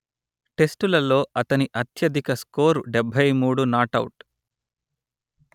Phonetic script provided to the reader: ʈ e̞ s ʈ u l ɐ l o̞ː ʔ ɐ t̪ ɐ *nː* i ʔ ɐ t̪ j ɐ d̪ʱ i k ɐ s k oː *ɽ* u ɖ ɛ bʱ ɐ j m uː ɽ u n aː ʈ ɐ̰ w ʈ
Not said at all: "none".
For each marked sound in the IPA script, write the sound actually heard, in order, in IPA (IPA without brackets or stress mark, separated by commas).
n, ɾ